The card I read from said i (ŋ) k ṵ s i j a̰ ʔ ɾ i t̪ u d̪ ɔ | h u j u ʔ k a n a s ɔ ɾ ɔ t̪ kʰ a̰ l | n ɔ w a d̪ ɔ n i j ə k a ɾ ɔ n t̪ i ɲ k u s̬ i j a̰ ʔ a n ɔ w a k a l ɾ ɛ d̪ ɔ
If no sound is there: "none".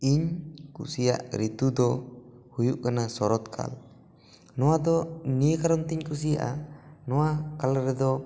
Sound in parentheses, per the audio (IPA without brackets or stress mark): ɲ